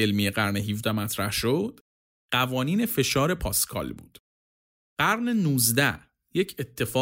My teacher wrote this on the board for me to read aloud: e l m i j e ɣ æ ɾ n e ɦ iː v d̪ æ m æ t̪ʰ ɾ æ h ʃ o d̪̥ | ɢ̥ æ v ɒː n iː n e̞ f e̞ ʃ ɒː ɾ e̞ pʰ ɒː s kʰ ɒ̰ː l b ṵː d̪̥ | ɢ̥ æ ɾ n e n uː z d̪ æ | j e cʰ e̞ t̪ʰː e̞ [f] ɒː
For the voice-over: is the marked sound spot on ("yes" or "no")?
yes